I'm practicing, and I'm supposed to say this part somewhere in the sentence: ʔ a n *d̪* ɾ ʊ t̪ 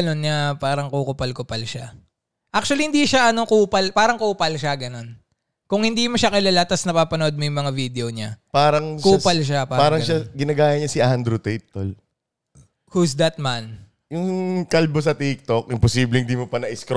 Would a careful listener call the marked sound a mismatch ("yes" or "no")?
no